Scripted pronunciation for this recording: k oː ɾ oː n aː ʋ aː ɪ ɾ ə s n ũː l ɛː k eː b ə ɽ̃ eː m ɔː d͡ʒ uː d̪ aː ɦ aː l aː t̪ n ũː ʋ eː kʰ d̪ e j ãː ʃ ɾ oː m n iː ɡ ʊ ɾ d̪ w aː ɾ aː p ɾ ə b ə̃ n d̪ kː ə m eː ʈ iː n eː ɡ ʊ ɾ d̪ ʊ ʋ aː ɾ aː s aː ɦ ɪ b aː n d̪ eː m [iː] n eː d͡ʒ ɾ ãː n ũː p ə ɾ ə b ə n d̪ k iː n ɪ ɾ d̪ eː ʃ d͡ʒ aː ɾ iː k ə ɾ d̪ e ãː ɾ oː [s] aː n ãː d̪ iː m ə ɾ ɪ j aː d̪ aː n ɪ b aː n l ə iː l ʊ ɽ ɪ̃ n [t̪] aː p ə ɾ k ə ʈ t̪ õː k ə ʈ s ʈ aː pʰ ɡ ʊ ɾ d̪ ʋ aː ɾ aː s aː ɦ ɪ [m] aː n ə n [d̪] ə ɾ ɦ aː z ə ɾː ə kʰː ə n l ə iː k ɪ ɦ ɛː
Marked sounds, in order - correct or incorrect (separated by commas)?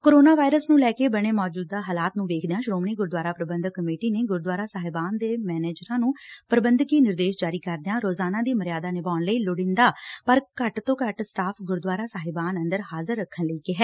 incorrect, incorrect, incorrect, incorrect, correct